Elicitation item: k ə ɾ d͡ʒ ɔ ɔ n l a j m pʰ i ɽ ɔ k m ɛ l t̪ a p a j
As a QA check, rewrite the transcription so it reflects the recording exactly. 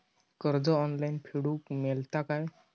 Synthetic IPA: k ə ɾ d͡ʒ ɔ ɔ n l a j n pʰ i ɽ u k m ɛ l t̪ a k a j